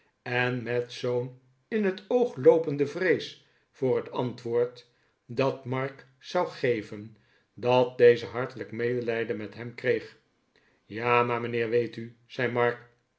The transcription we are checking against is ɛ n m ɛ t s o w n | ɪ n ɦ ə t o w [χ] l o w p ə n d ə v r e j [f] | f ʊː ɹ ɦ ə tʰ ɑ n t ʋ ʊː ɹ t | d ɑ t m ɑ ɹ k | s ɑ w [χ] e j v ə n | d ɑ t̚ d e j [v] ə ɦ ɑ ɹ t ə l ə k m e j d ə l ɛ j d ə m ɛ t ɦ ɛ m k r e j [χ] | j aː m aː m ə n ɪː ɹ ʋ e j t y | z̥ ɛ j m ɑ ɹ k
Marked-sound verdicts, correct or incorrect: correct, incorrect: s, correct, incorrect: z, correct

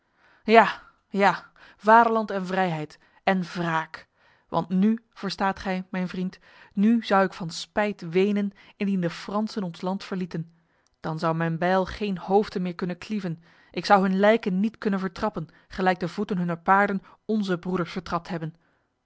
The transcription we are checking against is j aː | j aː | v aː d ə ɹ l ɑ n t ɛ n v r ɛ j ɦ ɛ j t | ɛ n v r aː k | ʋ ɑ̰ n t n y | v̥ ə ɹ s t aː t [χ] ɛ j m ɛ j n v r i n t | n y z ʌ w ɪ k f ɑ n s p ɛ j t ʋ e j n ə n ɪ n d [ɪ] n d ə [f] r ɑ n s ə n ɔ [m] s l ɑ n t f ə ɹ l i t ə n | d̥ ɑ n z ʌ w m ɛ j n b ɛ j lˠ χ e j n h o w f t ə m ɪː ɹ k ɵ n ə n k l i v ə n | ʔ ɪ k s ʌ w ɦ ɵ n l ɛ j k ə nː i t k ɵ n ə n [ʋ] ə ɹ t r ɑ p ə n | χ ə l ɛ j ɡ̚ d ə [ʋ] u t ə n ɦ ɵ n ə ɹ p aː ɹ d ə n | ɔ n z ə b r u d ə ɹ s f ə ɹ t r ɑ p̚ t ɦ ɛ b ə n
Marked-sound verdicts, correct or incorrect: correct, incorrect: i, correct, incorrect: n, incorrect: v, incorrect: v

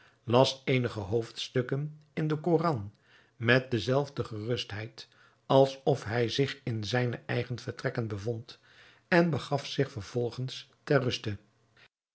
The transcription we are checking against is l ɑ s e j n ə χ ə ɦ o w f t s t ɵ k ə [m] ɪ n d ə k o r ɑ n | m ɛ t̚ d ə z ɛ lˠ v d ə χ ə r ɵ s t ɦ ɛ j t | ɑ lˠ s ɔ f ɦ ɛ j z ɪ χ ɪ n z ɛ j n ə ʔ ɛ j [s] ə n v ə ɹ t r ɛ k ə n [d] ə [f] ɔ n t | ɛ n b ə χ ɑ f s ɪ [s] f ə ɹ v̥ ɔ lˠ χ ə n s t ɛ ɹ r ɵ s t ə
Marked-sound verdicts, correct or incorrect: incorrect: n, incorrect: χ, incorrect: b, incorrect: v, incorrect: χ

